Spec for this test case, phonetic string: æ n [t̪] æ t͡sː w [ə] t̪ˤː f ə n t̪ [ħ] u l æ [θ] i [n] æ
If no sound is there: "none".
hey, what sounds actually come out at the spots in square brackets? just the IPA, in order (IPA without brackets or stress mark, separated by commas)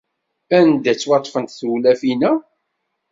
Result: d̪, ɑ, θ, f, n